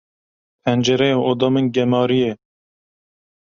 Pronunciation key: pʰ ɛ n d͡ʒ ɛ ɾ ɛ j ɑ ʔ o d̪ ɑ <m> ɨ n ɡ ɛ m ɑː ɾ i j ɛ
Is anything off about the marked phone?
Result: no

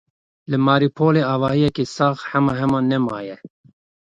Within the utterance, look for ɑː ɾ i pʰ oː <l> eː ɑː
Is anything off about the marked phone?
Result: no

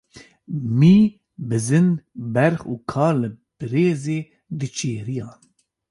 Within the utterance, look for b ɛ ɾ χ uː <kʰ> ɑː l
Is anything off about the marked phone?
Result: no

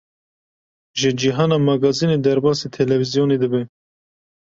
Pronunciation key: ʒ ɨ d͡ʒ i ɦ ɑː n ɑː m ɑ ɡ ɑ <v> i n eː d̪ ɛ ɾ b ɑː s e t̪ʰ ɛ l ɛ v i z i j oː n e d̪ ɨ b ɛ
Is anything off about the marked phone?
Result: yes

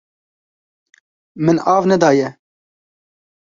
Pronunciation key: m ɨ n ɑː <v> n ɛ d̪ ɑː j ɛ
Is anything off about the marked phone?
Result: no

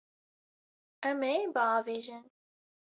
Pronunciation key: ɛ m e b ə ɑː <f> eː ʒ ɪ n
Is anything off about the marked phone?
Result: yes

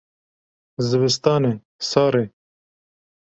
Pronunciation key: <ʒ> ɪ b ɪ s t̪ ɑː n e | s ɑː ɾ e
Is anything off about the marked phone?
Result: yes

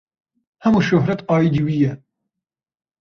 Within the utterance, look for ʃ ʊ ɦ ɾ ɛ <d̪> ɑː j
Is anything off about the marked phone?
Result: yes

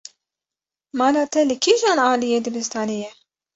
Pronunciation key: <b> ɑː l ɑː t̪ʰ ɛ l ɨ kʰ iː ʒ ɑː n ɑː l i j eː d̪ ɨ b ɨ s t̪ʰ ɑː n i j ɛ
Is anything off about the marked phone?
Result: yes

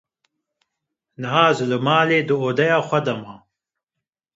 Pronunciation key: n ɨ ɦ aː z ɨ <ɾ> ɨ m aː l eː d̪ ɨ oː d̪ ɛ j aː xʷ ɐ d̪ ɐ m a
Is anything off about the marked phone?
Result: yes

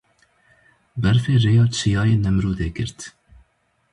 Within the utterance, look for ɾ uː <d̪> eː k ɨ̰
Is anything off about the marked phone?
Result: no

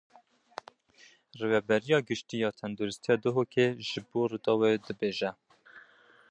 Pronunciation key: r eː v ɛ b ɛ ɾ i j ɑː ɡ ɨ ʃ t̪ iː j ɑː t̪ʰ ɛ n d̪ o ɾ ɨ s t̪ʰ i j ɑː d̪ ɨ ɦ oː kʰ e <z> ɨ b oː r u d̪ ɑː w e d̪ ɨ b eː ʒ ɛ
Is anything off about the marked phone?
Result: yes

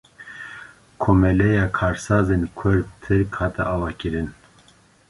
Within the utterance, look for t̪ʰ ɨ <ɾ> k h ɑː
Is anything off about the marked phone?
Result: no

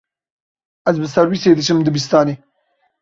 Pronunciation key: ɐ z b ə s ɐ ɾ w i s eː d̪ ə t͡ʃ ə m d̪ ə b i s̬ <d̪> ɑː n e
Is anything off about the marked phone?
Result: yes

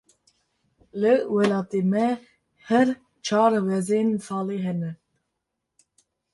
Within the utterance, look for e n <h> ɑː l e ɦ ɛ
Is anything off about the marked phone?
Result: yes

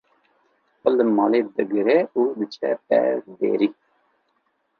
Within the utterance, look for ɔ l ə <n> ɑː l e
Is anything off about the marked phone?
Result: yes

